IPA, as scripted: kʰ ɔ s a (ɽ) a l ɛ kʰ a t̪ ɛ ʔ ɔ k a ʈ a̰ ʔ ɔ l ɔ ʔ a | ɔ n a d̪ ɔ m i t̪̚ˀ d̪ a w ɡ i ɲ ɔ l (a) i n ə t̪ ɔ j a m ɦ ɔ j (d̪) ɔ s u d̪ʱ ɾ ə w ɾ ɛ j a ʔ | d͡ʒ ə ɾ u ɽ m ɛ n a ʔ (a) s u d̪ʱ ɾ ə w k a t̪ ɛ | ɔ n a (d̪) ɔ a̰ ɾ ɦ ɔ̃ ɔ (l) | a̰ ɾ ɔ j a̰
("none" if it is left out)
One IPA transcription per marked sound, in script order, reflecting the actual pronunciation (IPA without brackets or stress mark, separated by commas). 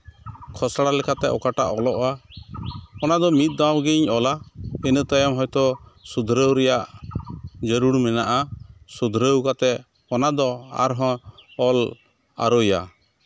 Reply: ɽ, a, t̪, a, d̪, l